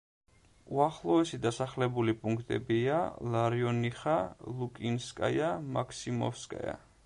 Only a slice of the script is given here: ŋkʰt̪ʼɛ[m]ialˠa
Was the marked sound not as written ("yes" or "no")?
yes